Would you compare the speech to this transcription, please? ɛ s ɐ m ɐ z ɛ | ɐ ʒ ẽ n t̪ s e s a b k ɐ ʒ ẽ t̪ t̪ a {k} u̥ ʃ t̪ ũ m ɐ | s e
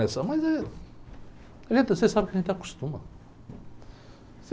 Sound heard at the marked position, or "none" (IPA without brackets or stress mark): k